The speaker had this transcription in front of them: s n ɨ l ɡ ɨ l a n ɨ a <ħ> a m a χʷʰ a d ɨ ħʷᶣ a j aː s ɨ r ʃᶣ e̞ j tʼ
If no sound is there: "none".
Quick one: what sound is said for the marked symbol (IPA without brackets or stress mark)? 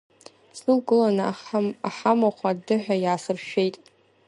ħ